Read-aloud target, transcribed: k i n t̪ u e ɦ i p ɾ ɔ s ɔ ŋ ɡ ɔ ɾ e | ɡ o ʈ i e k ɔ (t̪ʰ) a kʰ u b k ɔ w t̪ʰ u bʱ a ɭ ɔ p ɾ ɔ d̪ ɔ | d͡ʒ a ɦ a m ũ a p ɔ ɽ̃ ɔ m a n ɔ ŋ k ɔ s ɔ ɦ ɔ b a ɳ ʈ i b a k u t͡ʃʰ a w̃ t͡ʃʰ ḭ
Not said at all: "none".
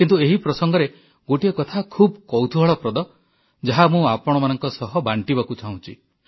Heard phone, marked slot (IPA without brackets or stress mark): t̪ʰ